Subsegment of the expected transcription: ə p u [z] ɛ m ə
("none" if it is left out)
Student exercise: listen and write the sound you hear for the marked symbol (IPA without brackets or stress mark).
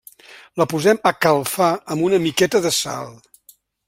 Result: z